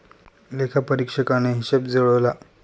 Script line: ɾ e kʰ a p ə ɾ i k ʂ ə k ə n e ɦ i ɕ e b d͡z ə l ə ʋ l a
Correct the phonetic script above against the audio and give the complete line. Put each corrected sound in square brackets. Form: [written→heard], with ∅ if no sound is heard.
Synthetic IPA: [ɾ→l] e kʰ a p ə ɾ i k ʂ ə k [ə→a] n e ɦ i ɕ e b d͡z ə [l→ɭ] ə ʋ l a